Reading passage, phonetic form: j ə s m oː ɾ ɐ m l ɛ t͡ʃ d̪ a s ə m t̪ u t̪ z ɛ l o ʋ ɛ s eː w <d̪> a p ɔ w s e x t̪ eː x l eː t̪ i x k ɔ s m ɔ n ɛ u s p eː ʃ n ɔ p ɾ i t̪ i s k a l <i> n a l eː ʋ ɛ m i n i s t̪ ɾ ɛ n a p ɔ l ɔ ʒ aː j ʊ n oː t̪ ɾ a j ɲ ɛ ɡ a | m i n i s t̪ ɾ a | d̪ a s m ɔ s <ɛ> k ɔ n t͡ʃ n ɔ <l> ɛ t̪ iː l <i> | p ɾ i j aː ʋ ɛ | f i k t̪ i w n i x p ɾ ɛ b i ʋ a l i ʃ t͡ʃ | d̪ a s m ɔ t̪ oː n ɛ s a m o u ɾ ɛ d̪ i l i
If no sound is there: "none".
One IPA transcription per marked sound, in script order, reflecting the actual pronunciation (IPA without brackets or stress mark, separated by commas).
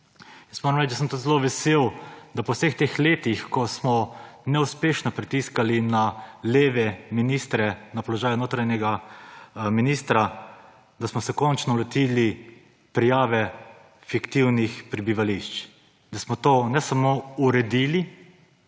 d̪, i, ɛ, l, i